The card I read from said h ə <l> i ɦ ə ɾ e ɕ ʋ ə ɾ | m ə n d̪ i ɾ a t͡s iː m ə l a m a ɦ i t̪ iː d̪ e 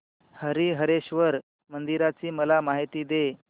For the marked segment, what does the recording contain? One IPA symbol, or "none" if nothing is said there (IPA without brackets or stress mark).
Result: ɾ